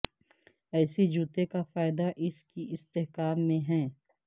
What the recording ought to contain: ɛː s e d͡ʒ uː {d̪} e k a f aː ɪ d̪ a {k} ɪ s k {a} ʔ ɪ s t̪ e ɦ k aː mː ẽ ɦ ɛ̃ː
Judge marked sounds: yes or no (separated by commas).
no, no, no